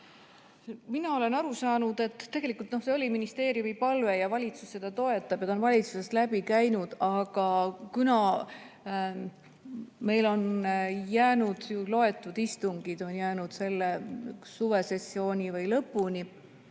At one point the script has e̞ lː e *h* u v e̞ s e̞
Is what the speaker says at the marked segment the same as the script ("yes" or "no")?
no